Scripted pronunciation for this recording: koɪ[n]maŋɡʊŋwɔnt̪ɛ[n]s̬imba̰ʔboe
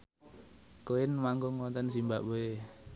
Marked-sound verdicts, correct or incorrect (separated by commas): correct, correct